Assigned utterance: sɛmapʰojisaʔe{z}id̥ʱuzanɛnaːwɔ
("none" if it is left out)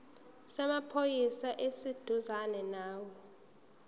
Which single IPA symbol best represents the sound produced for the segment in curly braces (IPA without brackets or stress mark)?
s